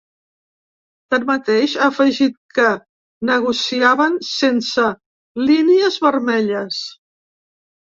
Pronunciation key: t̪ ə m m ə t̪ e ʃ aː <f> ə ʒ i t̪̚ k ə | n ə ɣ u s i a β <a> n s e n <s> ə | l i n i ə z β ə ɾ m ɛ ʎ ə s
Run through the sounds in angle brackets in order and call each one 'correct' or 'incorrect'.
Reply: correct, incorrect: ə, correct

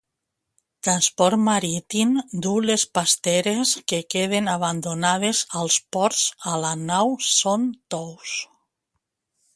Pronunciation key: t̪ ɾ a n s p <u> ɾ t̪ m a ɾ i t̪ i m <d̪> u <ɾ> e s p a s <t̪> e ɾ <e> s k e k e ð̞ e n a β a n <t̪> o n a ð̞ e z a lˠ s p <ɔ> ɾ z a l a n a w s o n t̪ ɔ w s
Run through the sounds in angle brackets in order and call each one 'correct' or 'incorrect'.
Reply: incorrect: ɔ, correct, incorrect: l, correct, correct, incorrect: d̪, correct

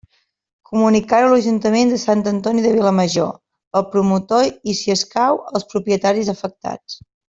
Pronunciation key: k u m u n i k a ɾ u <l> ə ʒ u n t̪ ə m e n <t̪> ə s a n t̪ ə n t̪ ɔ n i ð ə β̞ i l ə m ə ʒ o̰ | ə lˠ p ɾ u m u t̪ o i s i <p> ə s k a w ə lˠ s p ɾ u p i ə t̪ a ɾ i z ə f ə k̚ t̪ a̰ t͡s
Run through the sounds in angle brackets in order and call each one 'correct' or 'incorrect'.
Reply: correct, incorrect: d̪, incorrect: none

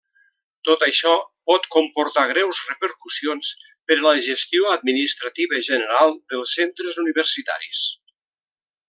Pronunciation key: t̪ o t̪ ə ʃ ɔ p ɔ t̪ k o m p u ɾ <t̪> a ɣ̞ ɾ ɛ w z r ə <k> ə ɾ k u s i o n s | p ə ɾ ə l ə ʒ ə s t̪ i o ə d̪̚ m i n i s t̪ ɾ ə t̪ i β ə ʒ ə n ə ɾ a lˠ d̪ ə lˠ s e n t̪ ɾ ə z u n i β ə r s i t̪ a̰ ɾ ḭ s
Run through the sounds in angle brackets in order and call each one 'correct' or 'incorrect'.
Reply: correct, incorrect: p

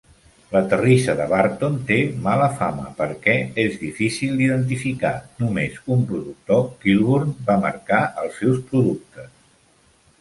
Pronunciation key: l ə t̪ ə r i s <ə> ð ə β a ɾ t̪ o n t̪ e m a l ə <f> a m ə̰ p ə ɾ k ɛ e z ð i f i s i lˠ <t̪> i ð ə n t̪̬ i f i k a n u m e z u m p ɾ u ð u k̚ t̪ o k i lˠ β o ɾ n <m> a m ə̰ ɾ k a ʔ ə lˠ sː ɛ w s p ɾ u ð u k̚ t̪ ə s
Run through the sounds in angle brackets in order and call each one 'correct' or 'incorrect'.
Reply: correct, correct, incorrect: d̪, incorrect: b

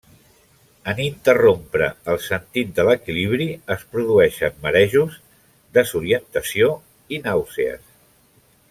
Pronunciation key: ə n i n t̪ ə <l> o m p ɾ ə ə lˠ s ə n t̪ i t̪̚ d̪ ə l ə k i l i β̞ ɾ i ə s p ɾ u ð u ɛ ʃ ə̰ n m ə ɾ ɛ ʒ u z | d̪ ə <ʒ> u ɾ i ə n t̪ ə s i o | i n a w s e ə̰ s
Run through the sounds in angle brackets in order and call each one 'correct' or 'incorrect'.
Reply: incorrect: r, incorrect: z

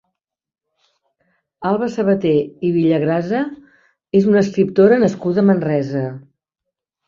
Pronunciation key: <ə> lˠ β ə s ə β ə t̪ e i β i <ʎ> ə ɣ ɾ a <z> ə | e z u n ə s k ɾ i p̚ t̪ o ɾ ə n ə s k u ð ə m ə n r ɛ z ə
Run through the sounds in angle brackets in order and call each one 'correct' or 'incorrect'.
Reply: incorrect: a, correct, correct

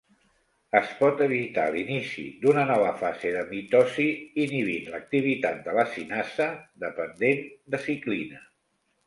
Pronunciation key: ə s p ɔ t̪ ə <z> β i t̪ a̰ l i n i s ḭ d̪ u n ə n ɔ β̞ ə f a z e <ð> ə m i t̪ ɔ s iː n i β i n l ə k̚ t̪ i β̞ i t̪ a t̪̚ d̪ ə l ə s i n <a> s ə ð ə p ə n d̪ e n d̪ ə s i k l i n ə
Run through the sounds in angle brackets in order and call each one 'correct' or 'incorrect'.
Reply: incorrect: none, correct, correct

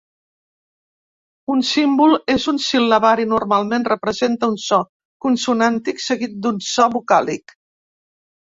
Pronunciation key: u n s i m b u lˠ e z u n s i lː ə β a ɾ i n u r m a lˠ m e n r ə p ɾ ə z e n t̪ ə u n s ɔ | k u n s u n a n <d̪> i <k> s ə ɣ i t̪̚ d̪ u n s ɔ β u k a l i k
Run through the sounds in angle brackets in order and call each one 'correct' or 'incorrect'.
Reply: incorrect: t̪, correct

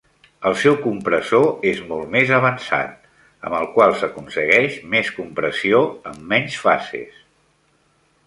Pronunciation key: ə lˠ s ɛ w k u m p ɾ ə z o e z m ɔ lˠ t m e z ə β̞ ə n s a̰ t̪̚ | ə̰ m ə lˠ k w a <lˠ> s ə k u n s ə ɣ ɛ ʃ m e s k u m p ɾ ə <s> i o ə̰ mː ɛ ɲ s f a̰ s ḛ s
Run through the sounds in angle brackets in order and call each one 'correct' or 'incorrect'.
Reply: correct, correct

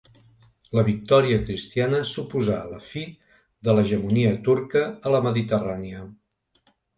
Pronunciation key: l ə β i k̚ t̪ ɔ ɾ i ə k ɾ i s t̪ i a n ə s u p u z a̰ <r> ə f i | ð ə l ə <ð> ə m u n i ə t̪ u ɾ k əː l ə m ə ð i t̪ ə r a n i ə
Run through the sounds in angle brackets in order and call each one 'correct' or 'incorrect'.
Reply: incorrect: l, incorrect: ʒ

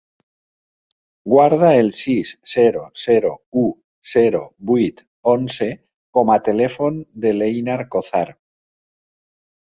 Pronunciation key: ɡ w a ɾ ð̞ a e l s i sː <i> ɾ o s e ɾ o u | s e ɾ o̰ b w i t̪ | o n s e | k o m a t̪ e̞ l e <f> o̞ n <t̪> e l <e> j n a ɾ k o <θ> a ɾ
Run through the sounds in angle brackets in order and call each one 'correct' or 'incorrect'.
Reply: incorrect: e, correct, incorrect: d̪, correct, correct

